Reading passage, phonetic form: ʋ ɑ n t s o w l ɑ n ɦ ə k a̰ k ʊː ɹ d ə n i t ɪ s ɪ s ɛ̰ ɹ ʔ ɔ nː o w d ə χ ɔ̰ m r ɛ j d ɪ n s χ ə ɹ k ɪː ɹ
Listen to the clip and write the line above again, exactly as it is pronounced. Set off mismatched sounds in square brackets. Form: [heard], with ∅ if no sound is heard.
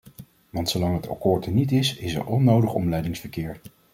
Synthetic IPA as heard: ʋ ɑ n t s o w l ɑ [ŋ] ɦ ə [t] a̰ k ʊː ɹ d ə n i t ɪ s ɪ s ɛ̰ ɹ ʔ ɔ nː o w d ə χ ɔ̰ m [l] ɛ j d ɪ [ŋ] s [f] ə ɹ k ɪː ɹ